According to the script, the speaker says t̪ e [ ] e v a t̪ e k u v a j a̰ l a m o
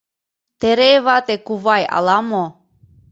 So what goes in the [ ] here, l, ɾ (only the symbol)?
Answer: ɾ